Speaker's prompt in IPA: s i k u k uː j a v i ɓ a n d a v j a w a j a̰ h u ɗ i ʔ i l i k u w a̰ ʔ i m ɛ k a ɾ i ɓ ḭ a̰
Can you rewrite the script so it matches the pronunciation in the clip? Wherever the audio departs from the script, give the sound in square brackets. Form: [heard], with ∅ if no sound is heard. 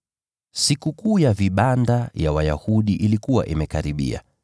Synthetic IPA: s i k u k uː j a v i ɓ a n d a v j a w a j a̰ h u ɗ i ʔ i l i k u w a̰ ʔ i m ɛ k a ɾ i ɓ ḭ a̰